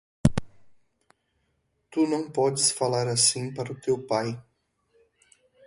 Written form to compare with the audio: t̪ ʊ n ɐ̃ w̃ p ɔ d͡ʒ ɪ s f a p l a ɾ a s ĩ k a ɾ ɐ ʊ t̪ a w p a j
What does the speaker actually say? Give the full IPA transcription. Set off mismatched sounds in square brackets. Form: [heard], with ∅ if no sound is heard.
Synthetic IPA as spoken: t̪ [u] n ɐ̃ w̃ p ɔ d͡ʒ ɪ s f a [∅] l a ɾ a s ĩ [p] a ɾ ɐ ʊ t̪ [e] w p a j